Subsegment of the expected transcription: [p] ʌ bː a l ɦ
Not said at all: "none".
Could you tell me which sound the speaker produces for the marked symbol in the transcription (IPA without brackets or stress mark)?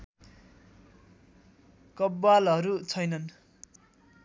k